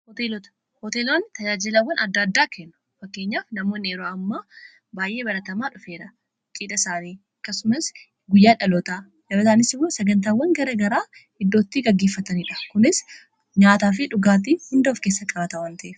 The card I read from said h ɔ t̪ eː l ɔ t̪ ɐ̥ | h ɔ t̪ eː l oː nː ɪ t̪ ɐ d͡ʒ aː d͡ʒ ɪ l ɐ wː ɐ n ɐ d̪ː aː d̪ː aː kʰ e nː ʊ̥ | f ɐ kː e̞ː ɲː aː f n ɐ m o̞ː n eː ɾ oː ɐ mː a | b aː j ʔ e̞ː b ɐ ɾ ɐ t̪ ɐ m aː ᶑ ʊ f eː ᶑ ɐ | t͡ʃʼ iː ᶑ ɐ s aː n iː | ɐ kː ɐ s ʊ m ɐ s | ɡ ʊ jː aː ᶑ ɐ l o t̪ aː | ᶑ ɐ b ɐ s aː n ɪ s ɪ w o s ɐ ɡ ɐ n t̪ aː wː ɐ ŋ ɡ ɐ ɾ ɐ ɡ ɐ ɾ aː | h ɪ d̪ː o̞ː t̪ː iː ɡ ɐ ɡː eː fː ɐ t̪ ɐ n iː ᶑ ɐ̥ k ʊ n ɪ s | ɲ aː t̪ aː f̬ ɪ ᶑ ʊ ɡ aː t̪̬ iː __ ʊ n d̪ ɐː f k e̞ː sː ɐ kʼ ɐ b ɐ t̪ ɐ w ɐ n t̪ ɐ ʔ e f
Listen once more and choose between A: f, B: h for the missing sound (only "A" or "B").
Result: B